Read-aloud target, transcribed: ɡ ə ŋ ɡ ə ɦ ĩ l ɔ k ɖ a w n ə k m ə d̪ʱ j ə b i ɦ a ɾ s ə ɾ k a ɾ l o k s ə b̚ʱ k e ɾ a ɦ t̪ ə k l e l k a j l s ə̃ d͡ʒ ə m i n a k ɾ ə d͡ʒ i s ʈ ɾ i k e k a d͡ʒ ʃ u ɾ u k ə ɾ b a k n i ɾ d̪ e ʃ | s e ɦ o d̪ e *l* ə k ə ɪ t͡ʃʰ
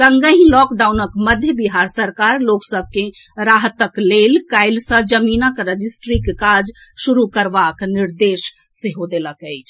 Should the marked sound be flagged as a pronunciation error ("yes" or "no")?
no